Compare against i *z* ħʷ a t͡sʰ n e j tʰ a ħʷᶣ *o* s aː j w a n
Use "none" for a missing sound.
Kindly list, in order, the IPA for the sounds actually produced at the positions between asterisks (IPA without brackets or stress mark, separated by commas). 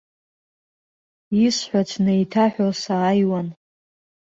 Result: s, o